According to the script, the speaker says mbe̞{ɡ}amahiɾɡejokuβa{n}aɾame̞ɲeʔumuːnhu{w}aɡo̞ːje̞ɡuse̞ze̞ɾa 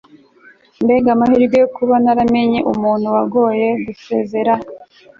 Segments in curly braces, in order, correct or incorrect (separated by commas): correct, correct, correct